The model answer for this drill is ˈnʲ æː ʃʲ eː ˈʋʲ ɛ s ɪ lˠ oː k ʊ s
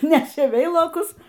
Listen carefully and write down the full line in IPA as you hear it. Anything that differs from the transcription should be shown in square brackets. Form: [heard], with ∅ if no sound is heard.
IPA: ˈnʲ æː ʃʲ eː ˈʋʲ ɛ [∅] ɪ lˠ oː k ʊ s